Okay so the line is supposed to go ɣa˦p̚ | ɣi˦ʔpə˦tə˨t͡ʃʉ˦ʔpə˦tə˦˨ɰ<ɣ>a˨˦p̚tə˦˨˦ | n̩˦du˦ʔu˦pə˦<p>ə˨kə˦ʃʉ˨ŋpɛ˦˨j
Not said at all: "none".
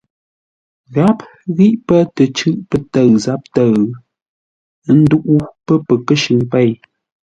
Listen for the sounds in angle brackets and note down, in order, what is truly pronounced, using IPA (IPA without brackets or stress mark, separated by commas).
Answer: z, p